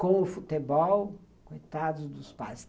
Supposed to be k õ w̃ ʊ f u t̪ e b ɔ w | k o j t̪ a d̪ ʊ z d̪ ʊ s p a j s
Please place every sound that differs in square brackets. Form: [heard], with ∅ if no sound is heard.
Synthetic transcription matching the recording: k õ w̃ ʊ f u t̪ e b ɔ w | k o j t̪ a d̪ ʊ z d̪ ʊ s p a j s